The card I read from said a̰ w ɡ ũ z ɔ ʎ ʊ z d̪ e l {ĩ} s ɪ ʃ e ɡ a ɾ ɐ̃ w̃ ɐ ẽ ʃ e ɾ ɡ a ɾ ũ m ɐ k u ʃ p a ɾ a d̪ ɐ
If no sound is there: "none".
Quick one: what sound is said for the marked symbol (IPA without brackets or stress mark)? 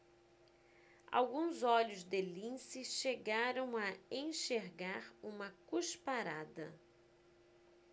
ĩ